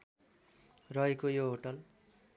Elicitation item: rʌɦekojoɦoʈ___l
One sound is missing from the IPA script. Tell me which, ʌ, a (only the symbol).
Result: ʌ